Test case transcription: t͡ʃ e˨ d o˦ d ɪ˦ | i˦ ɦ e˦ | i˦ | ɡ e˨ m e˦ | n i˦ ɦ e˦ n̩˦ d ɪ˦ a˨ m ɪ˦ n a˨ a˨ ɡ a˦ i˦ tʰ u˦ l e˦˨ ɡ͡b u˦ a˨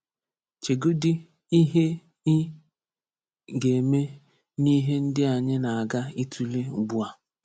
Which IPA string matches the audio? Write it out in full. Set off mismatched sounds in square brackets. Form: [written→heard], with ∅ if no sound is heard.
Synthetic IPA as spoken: t͡ʃ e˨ [d→ɡ] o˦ d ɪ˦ | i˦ ɦ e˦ | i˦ | ɡ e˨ m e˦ | n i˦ ɦ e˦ n̩˦ d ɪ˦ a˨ [m→ɲ] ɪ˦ n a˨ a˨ ɡ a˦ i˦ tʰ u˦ l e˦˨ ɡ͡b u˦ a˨